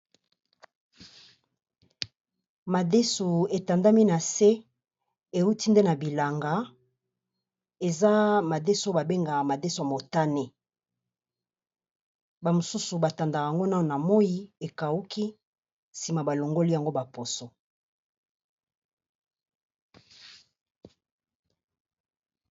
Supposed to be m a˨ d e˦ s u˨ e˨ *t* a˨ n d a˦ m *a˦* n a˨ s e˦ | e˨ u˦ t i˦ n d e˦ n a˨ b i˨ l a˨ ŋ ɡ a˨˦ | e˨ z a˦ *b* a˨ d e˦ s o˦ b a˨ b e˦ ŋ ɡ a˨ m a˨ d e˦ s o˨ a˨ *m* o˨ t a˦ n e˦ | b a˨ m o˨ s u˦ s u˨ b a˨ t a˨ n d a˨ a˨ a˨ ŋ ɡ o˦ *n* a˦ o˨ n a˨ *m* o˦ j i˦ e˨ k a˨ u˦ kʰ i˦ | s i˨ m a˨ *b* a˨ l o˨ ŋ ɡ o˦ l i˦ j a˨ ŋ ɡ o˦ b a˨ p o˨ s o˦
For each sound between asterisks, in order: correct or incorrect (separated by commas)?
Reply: correct, incorrect, incorrect, correct, correct, correct, correct